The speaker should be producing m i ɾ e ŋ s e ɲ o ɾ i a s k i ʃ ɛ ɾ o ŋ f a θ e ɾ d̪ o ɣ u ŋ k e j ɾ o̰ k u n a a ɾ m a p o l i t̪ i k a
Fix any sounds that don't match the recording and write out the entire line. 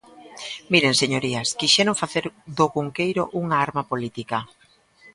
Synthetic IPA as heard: m i ɾ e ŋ s e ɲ o ɾ i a s k i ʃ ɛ ɾ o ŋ f a θ e ɾ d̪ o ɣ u ŋ k e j ɾ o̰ ʔ u ŋ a a ɾ m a p o l i t̪ i k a